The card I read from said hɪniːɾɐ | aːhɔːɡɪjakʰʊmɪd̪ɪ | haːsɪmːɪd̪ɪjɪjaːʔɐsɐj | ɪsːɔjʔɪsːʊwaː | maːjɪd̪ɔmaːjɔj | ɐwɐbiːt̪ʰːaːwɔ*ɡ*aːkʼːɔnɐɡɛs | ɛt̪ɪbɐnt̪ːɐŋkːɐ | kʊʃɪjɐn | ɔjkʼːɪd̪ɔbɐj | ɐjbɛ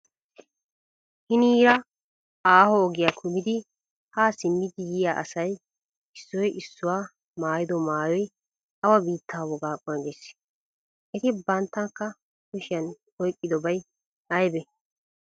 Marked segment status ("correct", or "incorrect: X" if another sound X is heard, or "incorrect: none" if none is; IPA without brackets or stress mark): correct